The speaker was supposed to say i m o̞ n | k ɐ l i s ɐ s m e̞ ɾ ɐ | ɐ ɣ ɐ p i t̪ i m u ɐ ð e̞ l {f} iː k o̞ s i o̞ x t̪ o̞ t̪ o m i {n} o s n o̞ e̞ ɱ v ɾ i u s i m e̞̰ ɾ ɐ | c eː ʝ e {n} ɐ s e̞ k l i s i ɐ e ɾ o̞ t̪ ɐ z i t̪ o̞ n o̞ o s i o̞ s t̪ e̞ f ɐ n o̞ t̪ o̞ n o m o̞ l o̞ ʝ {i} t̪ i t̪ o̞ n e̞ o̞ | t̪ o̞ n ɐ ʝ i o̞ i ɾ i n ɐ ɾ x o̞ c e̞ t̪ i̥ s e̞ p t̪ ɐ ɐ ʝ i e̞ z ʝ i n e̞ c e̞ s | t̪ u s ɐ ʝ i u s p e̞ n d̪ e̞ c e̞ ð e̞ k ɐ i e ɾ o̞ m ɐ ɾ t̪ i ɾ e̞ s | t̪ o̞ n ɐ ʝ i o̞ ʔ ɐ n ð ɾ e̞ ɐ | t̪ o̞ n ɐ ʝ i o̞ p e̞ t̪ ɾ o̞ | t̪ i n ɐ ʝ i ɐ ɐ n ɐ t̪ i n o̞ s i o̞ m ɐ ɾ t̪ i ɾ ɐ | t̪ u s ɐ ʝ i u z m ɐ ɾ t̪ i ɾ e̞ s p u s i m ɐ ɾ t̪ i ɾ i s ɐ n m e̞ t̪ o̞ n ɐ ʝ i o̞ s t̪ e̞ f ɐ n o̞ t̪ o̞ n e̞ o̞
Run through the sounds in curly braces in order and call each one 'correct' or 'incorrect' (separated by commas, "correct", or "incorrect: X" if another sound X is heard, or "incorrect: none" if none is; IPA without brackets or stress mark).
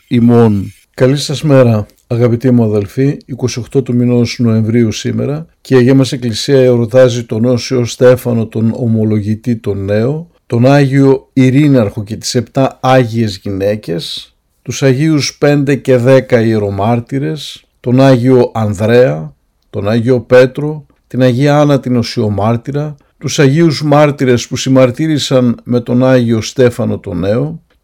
correct, correct, incorrect: m, correct